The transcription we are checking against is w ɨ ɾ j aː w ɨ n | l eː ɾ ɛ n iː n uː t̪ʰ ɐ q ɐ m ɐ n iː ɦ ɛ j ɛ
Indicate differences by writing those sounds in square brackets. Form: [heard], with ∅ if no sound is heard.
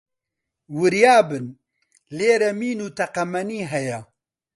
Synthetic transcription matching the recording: w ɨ ɾ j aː [b] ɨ n | l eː ɾ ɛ [m] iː n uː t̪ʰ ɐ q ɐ m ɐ n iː ɦ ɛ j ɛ

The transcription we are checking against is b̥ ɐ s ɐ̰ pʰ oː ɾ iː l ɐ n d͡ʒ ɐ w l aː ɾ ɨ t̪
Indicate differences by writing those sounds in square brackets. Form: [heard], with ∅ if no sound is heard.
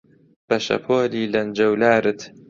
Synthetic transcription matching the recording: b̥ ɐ [ʃ] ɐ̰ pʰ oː [l] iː l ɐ n d͡ʒ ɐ w l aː ɾ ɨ t̪

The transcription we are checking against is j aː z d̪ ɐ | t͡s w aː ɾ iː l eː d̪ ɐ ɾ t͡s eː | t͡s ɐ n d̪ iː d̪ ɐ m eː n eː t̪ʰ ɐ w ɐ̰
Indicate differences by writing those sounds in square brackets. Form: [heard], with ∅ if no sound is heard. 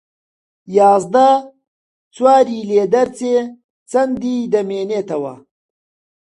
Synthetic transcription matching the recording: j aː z d̪ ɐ | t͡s w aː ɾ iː l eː d̪ ɐ ɾ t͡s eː | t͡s ɐ n d̪ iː d̪ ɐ m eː n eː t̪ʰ ɐ w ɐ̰

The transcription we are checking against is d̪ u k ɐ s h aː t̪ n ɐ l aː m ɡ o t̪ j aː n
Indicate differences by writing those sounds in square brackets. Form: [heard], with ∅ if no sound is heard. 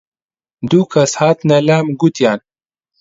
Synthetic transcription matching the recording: d̪ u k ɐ s h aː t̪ n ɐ l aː m ɡ [u] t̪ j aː n

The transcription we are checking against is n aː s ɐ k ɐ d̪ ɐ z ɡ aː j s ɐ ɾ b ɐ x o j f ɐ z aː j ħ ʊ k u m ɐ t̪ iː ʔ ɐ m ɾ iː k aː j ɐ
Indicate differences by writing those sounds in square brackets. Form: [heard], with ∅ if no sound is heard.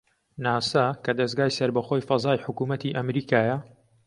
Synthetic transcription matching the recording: n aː s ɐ k ɐ d̪ ɐ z ɡ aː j s ɐ ɾ b ɐ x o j f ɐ z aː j ħ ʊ k u m ɐ t̪ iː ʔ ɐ m ɾ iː k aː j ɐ

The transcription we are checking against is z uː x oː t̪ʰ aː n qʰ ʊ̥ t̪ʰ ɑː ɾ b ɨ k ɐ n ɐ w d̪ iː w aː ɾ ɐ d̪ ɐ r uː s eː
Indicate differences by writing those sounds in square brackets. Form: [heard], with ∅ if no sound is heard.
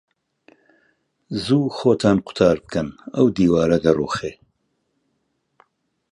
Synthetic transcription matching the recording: z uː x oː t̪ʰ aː n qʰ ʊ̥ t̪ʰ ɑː ɾ b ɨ k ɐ n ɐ w d̪ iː w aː ɾ ɐ d̪ ɐ r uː [x] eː

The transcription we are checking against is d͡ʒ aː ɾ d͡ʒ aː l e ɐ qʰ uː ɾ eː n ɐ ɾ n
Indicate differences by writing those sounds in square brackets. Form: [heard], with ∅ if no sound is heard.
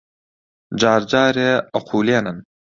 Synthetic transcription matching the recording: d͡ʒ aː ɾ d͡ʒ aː [ɾ] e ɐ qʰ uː [l] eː n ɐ [∅] n

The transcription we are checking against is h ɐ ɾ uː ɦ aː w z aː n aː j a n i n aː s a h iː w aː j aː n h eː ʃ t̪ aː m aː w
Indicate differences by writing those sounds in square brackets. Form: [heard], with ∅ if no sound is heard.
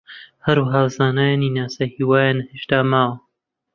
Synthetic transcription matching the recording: h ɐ ɾ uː ɦ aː w z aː n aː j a n i n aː s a h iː w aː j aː n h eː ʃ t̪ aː m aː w

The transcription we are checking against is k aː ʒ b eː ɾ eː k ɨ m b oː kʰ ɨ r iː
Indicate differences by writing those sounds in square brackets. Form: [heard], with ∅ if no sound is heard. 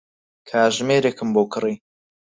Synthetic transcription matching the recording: [kʰ] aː ʒ [m] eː ɾ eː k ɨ m b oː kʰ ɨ r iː

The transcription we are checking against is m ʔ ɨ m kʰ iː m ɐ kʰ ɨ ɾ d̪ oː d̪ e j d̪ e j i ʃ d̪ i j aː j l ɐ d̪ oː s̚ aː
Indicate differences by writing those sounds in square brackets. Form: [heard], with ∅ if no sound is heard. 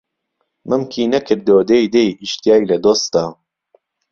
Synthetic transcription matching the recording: m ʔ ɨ m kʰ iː [n] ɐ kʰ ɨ ɾ d̪ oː d̪ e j d̪ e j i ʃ [t̪] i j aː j l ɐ d̪ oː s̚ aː

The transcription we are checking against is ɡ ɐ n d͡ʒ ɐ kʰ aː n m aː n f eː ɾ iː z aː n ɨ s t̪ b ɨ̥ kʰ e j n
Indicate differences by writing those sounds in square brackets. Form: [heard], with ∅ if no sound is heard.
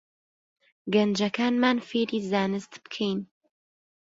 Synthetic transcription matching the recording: ɡ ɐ n d͡ʒ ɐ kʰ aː n m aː n f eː ɾ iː z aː n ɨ s t̪ b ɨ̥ kʰ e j n

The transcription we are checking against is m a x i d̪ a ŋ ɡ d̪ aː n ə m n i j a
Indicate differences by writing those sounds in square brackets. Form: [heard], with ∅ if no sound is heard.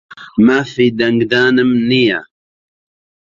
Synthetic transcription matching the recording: m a [f] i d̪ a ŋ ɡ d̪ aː n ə m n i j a

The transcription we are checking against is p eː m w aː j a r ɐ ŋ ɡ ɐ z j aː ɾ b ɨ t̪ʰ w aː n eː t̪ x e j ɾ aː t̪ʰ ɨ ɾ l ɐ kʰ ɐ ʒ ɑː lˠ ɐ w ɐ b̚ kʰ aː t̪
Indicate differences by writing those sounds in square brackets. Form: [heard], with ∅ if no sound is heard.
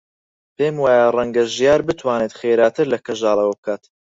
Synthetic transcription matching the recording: p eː m w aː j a r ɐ ŋ ɡ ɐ [ʒ] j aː ɾ b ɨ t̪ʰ w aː n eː t̪ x e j ɾ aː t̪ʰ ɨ ɾ l ɐ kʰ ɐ ʒ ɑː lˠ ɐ w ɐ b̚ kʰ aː t̪

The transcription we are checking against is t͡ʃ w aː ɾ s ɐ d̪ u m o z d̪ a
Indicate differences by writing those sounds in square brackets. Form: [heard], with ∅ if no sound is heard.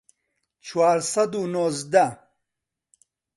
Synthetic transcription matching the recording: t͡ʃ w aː ɾ s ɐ d̪ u [n] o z d̪ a

